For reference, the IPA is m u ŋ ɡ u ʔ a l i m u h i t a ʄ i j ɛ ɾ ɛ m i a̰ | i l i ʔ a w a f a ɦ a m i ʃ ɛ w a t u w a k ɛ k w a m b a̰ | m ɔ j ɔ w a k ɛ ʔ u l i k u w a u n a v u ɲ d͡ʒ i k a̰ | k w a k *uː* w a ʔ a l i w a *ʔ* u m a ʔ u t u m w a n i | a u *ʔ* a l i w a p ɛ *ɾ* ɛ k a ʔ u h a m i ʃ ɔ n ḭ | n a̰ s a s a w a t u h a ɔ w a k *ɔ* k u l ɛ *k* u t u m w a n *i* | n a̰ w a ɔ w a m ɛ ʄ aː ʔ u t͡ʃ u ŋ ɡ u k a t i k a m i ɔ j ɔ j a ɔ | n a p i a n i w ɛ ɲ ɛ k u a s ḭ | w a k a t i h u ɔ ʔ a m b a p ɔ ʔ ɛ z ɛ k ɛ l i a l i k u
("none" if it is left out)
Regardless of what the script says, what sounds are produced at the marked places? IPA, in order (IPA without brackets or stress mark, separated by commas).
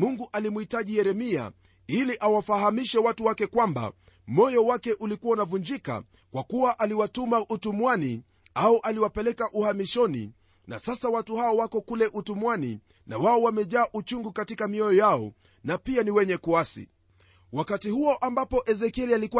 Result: u, t, ʔ, l, ɔ, ʔ, i